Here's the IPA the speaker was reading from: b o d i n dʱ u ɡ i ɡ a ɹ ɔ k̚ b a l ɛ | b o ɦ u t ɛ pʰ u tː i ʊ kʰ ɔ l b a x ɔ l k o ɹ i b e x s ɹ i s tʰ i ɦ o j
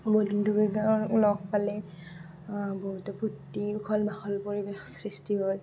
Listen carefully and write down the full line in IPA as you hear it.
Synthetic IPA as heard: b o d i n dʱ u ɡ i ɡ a l ɔ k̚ p a l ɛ | b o ɦ u t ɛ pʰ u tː i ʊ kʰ ɔ l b a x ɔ l p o ɹ i b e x s ɹ i s t i ɦ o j